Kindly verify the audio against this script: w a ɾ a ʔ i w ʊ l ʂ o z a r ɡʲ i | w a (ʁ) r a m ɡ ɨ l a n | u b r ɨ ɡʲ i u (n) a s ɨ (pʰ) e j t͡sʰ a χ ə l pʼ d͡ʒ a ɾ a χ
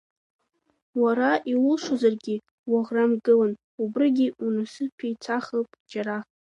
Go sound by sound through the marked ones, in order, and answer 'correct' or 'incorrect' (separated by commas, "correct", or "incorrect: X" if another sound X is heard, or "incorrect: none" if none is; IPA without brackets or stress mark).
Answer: correct, correct, correct